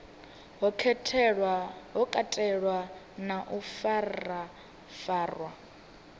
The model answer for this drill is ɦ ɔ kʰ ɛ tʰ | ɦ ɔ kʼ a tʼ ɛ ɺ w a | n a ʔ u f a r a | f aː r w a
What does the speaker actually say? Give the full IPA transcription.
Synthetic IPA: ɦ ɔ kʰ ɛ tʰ | ɦ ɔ kʼ a tʼ ɛ ɺ w a | n a ʔ u f a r a | f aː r w a